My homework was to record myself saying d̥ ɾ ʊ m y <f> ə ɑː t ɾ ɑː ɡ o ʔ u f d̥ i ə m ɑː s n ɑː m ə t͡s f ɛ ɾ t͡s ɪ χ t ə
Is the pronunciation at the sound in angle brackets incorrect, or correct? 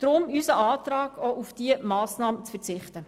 incorrect